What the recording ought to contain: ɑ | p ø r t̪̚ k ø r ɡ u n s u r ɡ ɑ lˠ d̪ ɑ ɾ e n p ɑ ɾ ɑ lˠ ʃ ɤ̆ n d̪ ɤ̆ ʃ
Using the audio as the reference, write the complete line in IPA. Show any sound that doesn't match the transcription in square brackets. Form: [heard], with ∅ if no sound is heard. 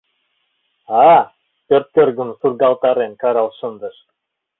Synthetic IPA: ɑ | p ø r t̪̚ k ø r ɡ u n s u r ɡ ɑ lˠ [t̪] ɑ ɾ e n [k] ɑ ɾ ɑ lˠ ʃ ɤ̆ n d̪ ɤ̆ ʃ